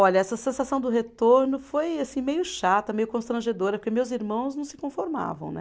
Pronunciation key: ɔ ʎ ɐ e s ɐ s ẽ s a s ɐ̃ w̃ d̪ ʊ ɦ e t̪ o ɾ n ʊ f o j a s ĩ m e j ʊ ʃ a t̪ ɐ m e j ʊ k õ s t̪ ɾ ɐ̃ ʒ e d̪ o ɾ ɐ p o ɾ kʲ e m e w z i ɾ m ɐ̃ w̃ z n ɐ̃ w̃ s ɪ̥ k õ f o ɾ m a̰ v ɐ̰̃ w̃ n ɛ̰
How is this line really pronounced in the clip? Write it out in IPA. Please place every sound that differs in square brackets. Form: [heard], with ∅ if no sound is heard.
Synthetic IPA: ɔ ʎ ɐ [ɛ] s ɐ s ẽ s a s ɐ̃ w̃ d̪ ʊ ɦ e t̪ o ɾ n ʊ f o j a s ĩ m e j ʊ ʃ a t̪ ɐ m e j ʊ k õ s t̪ ɾ ɐ̃ ʒ e d̪ o ɾ ɐ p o ɾ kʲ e m e w z i ɾ m ɐ̃ w̃ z n ɐ̃ w̃ s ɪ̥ k õ f o ɾ m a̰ v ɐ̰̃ w̃ n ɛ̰